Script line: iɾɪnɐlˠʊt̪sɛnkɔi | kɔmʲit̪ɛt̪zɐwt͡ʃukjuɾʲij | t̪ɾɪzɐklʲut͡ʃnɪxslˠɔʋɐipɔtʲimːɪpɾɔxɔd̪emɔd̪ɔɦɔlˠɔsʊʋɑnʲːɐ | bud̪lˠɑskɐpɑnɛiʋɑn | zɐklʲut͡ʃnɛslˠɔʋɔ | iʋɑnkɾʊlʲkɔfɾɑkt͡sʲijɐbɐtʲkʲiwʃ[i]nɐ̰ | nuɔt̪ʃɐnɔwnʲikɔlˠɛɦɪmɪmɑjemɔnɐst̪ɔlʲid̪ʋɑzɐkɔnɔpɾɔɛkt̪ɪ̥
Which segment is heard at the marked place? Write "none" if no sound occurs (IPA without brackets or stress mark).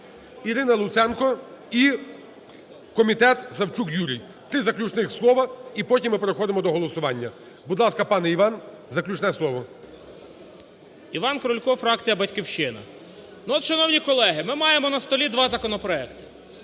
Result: ɪ